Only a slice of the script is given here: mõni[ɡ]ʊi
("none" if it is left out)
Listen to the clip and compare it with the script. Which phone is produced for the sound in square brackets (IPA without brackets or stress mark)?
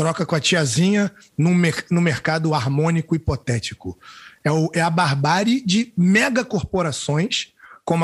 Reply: k